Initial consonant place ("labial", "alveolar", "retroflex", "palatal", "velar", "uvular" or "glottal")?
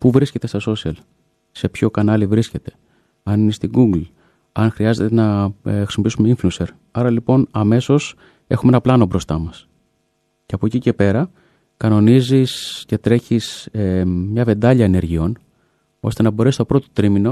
labial